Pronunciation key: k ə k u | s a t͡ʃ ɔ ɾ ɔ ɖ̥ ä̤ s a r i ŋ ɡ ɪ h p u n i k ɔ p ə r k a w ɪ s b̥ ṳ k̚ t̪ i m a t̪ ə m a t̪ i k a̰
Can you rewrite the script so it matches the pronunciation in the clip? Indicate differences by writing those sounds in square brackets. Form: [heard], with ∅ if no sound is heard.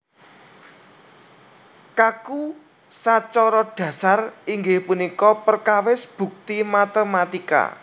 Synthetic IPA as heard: k [a] k u | s a t͡ʃ ɔ ɾ ɔ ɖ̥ ä̤ s a r i ŋ ɡ ɪ h p u n i k ɔ p ə r k a w ɪ s b̥ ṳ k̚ t̪ i m a t̪ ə m a t̪ i k a̰